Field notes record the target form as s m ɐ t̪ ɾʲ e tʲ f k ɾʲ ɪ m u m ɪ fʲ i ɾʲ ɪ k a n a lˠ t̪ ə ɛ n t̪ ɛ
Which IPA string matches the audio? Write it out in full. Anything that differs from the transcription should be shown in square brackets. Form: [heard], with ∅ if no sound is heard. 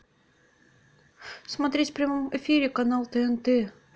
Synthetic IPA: s m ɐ t̪ ɾʲ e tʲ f [p] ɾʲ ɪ m [o] m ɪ fʲ i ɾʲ ɪ k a n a lˠ t̪ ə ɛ n t̪ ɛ